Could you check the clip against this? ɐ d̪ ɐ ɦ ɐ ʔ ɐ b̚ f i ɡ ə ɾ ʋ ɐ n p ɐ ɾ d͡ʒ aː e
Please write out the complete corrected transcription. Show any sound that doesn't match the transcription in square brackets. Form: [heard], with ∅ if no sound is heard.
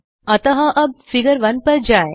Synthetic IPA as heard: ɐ [t̪] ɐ ɦ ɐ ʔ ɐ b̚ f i ɡ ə ɾ ʋ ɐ n p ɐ ɾ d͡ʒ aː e